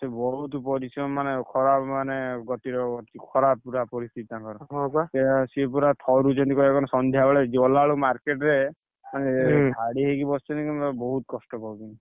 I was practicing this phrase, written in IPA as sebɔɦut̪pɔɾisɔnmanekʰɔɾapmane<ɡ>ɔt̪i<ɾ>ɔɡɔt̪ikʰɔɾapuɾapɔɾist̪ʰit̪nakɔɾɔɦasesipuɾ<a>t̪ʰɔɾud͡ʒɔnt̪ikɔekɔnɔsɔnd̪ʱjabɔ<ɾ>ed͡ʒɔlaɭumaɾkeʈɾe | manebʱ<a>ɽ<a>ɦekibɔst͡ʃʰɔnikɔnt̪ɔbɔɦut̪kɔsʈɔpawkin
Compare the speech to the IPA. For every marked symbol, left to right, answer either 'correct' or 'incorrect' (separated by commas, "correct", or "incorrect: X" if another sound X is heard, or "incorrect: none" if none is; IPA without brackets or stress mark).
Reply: correct, correct, correct, incorrect: ɭ, correct, incorrect: i